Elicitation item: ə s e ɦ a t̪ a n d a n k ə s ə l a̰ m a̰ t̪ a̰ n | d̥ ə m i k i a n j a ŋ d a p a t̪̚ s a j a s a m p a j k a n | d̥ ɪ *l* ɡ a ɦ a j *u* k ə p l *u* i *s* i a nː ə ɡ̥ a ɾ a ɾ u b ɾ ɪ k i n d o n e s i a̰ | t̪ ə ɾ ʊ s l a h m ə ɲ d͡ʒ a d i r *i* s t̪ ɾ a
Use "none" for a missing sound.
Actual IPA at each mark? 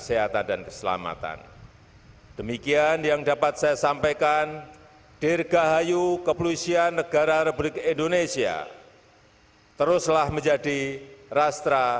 r, u, u, s, a

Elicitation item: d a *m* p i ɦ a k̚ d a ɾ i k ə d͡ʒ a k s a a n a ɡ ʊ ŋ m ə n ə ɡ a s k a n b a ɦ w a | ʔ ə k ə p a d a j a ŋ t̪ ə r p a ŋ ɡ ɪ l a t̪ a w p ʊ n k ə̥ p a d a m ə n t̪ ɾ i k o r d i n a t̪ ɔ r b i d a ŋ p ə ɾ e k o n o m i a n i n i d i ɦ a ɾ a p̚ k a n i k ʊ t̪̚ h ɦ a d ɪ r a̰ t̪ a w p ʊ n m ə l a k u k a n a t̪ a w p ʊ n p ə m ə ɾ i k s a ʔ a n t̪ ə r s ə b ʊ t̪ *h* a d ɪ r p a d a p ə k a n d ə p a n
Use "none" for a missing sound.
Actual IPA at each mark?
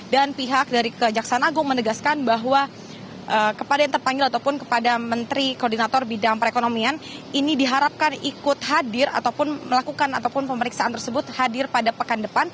n, h

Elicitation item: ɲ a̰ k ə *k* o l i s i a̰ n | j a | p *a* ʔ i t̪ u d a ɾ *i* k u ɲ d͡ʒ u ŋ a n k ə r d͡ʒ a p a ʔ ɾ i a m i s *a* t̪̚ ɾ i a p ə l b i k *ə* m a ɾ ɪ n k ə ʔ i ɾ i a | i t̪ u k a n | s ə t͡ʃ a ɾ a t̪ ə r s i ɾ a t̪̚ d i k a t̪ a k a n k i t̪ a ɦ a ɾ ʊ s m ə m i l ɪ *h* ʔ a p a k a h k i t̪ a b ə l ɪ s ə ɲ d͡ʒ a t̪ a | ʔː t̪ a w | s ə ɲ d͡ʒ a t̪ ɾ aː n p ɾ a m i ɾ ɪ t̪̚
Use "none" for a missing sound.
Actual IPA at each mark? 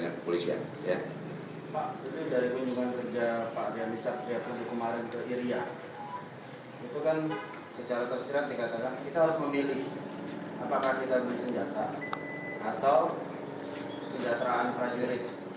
p, a, i, a, ə, h

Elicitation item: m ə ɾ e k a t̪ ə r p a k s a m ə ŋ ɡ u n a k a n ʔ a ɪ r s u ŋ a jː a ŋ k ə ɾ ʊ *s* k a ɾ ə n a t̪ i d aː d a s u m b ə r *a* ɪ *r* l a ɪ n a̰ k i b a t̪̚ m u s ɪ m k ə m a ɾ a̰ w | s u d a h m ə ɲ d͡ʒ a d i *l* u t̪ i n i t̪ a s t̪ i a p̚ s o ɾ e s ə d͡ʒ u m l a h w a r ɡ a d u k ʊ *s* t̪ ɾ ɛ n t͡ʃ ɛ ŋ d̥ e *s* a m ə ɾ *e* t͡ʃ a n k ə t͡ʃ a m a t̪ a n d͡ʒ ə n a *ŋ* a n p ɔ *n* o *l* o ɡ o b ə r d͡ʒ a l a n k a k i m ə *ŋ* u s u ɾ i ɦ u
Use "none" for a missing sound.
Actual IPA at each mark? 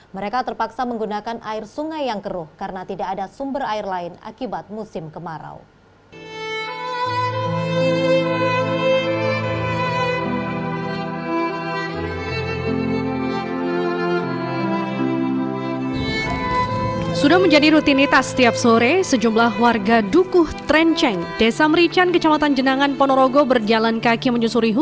h, a, r, ɾ, h, s, i, ŋ, n, ɾ, ɲ

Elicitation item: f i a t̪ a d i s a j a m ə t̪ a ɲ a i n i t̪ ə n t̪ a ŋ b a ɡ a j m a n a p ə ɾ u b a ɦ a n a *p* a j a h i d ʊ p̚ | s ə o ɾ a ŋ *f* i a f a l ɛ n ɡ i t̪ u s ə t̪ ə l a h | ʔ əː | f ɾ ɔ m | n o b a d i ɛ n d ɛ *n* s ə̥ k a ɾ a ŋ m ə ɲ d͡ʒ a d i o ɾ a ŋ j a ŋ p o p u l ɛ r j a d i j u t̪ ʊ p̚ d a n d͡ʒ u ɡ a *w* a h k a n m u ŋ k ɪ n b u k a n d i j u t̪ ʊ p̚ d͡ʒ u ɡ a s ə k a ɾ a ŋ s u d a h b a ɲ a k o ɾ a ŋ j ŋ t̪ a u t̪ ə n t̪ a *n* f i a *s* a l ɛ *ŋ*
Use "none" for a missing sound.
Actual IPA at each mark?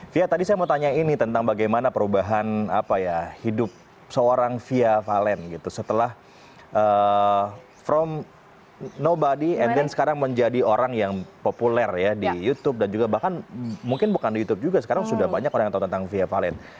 p, f, n, b, ŋ, f, n

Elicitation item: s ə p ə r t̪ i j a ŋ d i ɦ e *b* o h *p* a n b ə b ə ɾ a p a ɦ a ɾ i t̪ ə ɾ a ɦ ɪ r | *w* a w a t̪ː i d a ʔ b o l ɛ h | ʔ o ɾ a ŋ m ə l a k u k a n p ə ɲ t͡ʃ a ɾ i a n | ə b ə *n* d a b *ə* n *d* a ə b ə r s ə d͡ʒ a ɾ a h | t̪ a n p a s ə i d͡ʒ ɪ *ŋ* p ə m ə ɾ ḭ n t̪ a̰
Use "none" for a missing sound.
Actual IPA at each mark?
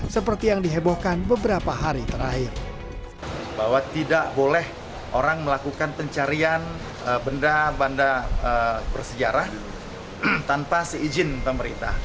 b, k, b, n, a, d, n

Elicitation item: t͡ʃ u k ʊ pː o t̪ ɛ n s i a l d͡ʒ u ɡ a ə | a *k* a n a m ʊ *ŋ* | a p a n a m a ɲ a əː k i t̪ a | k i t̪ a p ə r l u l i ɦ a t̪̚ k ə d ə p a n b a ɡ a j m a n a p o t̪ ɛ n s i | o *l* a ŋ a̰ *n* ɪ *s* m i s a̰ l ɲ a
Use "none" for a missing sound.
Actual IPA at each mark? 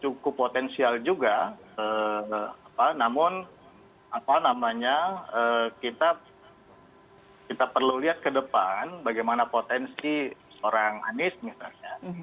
p, n, ɾ, n, s

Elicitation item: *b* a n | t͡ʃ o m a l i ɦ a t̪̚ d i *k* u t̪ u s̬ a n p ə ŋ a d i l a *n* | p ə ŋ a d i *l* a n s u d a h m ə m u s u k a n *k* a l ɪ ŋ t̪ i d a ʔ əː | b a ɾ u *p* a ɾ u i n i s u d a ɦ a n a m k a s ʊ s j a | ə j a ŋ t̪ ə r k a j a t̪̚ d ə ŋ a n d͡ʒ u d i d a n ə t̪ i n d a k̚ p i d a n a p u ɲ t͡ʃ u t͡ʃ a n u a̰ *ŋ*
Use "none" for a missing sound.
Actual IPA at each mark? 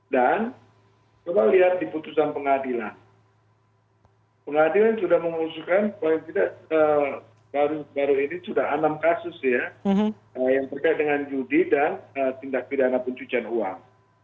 d, p, n, l, p, b, ŋ

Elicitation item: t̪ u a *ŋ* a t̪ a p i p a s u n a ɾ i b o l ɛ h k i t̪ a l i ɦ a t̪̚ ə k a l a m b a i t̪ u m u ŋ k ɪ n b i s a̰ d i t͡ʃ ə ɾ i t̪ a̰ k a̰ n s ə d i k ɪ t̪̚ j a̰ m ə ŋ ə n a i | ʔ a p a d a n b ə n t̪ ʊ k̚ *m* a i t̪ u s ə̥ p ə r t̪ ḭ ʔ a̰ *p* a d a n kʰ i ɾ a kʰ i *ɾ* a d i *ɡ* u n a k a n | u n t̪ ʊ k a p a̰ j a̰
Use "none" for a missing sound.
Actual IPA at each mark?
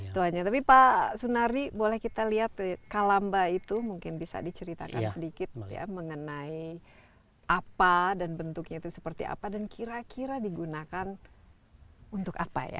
ɲ, ɲ, p, ɾ, ɡ

